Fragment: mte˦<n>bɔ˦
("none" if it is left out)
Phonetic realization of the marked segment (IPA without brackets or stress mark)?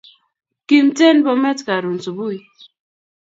n